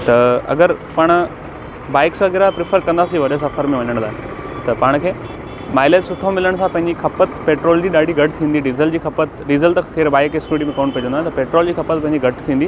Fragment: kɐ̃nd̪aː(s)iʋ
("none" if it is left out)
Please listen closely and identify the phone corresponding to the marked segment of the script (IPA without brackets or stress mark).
s